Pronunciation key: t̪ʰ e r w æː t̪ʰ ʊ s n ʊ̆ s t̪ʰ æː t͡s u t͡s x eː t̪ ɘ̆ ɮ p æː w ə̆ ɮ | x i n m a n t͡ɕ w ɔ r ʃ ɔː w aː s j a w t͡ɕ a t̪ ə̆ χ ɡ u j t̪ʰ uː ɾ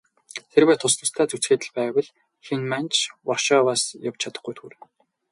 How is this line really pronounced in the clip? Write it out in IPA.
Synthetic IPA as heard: t̪ʰ e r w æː t̪ʰ ʊ s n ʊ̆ s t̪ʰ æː t͡s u t͡s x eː t̪ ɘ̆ ɮ p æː w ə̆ ɮ | x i n m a n t͡ɕ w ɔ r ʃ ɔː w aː s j a w t͡ɕʰ a t̪ ə̆ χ ɡ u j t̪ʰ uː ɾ